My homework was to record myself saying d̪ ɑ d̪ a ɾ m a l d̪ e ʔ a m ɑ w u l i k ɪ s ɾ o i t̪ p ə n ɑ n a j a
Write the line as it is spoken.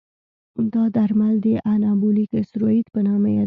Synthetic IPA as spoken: d̪ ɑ d̪ a ɾ m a l d̪ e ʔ a n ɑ b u l i k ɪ s ɾ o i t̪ p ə n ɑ m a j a